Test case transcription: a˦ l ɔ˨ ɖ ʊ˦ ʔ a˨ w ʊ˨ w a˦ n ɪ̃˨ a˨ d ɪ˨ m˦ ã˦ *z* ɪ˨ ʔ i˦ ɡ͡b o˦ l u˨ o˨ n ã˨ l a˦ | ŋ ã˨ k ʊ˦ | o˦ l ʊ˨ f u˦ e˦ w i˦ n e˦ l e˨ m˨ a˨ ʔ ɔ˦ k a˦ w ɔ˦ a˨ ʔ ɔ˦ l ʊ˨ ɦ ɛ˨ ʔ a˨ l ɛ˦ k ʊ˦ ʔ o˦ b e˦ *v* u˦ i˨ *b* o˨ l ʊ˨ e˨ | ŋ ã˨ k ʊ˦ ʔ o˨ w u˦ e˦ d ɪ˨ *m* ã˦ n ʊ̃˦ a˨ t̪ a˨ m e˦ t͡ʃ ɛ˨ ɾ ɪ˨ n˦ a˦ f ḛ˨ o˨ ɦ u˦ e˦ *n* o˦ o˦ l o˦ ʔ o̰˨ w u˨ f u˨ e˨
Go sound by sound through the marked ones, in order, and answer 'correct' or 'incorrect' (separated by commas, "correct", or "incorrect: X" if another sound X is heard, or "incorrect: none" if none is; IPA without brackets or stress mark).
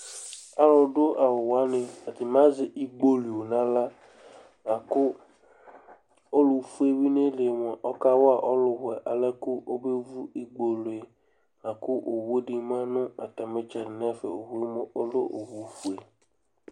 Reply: correct, correct, incorrect: ɡ͡b, correct, incorrect: m